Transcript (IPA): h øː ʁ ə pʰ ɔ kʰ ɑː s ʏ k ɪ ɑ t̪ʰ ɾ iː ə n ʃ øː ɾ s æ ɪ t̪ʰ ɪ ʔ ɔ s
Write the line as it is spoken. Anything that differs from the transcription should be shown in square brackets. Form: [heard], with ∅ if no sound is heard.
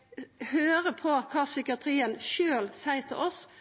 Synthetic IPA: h øː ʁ ə pʰ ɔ kʰ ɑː s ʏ k ɪ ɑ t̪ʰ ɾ iː ə n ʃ øː [l] s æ ɪ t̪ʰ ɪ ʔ ɔ s